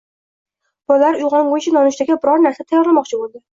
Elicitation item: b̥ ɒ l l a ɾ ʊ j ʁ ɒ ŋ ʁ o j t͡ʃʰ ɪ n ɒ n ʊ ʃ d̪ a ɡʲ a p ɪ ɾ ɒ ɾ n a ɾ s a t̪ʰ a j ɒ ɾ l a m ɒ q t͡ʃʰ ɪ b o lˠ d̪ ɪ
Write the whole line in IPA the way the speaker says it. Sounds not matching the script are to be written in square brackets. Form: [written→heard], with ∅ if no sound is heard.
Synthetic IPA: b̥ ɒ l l a ɾ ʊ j ʁ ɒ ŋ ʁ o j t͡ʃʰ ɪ n ɒ n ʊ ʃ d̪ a ɡʲ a [p→b] ɪ ɾ ɒ ɾ n a ɾ s a t̪ʰ a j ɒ ɾ l a m ɒ q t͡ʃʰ ɪ b o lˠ d̪ ɪ